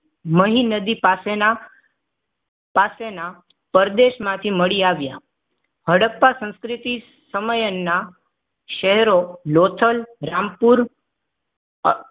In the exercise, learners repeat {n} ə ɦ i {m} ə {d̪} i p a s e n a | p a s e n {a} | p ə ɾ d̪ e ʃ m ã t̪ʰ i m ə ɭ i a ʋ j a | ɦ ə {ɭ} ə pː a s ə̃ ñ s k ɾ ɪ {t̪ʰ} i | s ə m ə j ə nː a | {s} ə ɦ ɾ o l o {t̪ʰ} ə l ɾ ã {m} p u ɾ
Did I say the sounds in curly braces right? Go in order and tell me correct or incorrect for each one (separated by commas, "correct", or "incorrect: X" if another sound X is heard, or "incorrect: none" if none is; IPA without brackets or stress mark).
incorrect: m, incorrect: n, correct, correct, incorrect: ɽ, incorrect: t̪, incorrect: ʃ, correct, correct